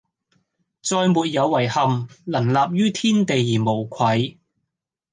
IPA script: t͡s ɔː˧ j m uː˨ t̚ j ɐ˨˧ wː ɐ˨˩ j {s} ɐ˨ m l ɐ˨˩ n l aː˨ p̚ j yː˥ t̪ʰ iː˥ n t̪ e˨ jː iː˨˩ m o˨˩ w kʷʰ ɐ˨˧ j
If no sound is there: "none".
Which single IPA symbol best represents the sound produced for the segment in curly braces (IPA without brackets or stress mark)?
h